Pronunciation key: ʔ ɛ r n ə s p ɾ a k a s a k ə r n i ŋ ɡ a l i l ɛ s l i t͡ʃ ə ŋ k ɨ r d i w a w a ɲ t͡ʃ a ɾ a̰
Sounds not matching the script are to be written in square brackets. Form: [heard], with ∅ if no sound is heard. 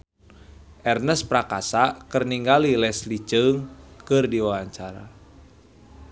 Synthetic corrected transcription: ʔ ɛ r n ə s p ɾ a k a s a k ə r n i ŋ ɡ a l i l ɛ s l i t͡ʃ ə ŋ k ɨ r d i w a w a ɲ t͡ʃ a ɾ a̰

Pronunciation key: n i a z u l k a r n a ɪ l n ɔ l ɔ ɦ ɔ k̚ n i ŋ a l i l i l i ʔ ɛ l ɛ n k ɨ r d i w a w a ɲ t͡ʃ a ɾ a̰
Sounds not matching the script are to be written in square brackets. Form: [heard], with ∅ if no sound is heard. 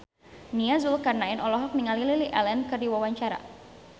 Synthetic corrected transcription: n i a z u l k a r n a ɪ [∅] n ɔ l ɔ ɦ ɔ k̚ n i ŋ a l i l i l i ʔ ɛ l ɛ n k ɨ r d i w a w a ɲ t͡ʃ a ɾ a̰

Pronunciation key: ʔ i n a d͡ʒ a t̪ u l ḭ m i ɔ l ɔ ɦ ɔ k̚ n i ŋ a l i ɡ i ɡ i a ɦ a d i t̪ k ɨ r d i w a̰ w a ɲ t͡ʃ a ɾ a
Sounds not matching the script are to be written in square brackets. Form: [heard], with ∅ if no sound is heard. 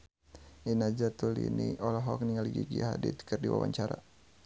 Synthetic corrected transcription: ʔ i n a d͡ʒ a t̪ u l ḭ [n] i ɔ l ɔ ɦ ɔ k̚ n i ŋ a l i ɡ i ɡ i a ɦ a d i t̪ k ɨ r d i w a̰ w a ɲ t͡ʃ a ɾ a

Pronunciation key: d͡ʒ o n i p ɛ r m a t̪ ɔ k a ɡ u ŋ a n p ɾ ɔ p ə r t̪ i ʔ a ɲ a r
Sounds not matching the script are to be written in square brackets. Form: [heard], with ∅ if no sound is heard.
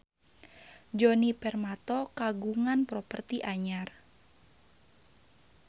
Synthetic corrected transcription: d͡ʒ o n i p ɛ r m a t̪ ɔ k a ɡ u ŋ a n p ɾ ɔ p ə r t̪ i ʔ a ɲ a r

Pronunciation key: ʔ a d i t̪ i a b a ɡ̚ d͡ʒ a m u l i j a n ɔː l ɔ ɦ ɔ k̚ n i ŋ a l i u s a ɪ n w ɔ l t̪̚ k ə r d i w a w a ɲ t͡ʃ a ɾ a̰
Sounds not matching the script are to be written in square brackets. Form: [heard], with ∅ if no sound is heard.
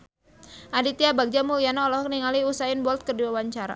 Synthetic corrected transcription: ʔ a d i t̪ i a b a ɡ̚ d͡ʒ a m u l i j a n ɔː l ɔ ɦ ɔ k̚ n i ŋ a l i u s a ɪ n [b] ɔ l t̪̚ k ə r d i w a w a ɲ t͡ʃ a ɾ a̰

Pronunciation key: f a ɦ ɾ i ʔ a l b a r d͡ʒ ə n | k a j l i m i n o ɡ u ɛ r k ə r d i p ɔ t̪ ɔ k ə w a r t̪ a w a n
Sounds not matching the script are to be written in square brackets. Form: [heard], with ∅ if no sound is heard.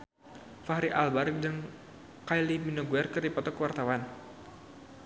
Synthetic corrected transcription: f a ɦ ɾ i ʔ a l b a r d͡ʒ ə [ŋ] | k a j l i m i n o ɡ u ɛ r k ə r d i p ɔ t̪ ɔ k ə w a r t̪ a w a n

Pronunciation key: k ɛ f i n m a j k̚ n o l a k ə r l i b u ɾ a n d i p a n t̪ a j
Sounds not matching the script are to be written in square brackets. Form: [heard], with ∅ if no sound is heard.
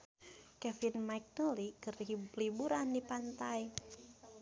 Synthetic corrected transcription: k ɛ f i n m a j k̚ n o l [i] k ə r l i b u ɾ a n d i p a n t̪ a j

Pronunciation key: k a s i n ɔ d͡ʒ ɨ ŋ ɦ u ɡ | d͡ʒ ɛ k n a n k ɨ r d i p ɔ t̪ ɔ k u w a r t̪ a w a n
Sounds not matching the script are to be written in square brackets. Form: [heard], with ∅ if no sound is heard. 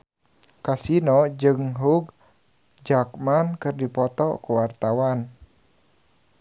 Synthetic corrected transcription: k a s i n ɔ d͡ʒ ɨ ŋ ɦ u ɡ | d͡ʒ [a] k [m] a n k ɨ r d i p ɔ t̪ ɔ k u w a r t̪ a w a n

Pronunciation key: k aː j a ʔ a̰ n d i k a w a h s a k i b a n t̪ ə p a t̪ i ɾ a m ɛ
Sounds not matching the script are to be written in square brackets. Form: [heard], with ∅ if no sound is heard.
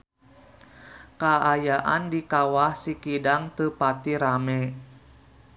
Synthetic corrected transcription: k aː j a ʔ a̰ n d i k a w a h s [i] k i [d] a [ŋ] t̪ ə p a t̪ i ɾ a m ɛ

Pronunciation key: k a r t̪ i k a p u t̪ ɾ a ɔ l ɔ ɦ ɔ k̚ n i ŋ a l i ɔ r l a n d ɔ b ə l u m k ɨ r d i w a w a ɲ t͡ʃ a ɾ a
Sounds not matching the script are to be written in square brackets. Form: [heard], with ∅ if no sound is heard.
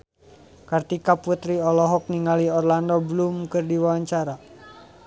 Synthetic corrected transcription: k a r t̪ i k a p u t̪ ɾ [i] ɔ l ɔ ɦ ɔ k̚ n i ŋ a l i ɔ r l a n d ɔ b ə l u m k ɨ r d i w a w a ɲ t͡ʃ a ɾ a

